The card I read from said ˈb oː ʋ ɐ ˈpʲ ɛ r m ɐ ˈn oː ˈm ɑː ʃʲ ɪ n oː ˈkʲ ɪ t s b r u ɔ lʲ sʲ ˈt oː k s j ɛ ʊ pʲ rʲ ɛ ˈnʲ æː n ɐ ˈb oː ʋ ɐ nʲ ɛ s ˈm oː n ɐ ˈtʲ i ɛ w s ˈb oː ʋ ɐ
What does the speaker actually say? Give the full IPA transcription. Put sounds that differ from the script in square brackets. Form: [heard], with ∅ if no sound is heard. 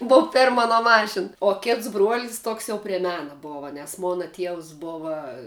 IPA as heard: ˈb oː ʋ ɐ ˈpʲ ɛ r m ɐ ˈn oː ˈm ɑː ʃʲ ɪ n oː ˈkʲ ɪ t s b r u ɔ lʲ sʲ ˈt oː k s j ɛ ʊ pʲ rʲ ɛ [ˈmʲ] æː n ɐ ˈb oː ʋ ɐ nʲ ɛ s ˈm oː n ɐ ˈtʲ i ɛ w s ˈb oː ʋ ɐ